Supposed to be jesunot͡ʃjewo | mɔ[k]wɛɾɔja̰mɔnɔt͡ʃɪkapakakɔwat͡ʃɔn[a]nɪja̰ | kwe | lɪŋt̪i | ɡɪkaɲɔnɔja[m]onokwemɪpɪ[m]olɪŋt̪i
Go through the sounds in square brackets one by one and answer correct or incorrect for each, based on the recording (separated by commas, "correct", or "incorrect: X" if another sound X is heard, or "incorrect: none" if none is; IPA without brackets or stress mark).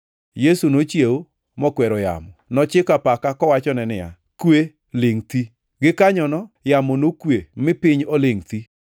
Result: correct, incorrect: ɛ, correct, incorrect: ɲ